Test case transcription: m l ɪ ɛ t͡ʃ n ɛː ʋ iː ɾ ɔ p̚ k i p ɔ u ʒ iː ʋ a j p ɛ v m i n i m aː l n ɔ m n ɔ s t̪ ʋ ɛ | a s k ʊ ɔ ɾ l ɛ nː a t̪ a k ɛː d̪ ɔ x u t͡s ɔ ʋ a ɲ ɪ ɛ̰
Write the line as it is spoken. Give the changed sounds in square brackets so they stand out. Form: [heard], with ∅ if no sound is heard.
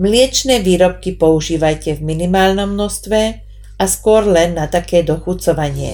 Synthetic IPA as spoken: m l ɪ ɛ t͡ʃ n ɛː ʋ iː ɾ ɔ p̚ k i p ɔ u ʒ iː ʋ a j [c] ɛ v m i n i m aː l n ɔ m n ɔ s t̪ ʋ ɛ | a s k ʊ ɔ ɾ l ɛ nː a t̪ a k ɛː d̪ ɔ x u t͡s ɔ ʋ a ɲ ɪ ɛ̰